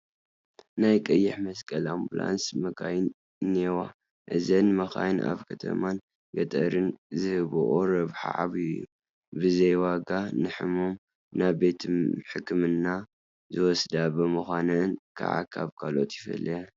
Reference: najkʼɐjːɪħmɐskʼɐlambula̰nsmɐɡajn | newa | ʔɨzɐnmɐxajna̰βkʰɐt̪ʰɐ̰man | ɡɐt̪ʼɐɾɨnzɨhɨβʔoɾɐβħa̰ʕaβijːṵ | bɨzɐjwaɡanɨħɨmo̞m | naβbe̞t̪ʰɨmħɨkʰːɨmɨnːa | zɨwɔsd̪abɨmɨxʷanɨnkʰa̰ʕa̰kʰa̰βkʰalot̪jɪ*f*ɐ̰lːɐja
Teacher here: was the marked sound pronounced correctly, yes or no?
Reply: yes